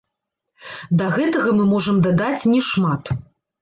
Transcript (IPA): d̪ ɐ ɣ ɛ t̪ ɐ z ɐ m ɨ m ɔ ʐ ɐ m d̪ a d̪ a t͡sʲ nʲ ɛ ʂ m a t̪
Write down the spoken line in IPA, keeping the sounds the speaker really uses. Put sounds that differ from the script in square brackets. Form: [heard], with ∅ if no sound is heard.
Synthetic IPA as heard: d̪ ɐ ɣ ɛ t̪ ɐ [ɣ] ɐ m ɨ m ɔ ʐ ɐ m d̪ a d̪ a t͡sʲ nʲ ɛ ʂ m a t̪